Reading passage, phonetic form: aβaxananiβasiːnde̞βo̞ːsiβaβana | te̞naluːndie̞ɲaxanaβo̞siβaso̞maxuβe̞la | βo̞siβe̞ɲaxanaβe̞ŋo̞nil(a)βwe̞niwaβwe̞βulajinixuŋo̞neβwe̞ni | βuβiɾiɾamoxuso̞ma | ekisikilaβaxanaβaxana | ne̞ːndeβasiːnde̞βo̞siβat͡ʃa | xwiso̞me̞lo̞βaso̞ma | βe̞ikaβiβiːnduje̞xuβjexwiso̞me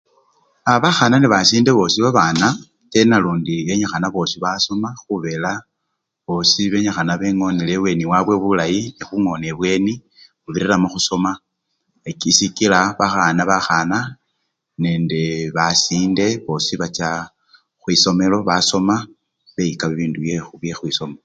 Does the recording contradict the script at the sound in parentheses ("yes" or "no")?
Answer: yes